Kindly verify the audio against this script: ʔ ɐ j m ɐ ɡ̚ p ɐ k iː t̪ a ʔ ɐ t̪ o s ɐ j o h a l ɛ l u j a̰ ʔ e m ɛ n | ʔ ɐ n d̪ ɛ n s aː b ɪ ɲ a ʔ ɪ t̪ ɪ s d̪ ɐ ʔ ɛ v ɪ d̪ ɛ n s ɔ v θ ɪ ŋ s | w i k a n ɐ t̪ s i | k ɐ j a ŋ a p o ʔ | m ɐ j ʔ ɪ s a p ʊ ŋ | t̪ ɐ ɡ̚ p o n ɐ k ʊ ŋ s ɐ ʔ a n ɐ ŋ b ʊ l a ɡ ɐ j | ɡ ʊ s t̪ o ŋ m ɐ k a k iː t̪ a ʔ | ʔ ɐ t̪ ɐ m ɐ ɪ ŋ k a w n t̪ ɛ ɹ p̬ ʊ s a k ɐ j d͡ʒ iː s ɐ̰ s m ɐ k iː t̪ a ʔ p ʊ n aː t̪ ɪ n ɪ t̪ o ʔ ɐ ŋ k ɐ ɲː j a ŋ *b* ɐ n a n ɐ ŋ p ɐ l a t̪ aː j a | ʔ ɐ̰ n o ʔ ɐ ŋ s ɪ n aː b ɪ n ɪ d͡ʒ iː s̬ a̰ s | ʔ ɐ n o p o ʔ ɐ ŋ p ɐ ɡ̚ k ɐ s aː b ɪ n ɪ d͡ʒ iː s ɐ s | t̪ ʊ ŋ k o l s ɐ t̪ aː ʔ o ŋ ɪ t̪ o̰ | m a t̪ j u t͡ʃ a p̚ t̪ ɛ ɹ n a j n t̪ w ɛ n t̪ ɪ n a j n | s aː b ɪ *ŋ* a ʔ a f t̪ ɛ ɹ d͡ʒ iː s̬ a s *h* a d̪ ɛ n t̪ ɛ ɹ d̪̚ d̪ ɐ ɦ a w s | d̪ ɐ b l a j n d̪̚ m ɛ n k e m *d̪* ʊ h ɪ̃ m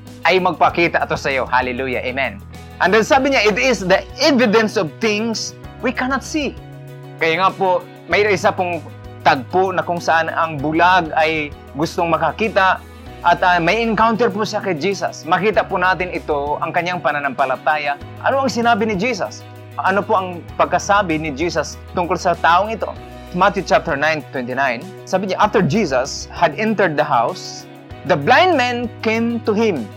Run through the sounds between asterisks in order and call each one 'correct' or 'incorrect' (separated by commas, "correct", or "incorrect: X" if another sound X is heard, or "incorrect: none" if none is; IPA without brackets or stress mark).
incorrect: p, incorrect: ɲ, correct, incorrect: t̪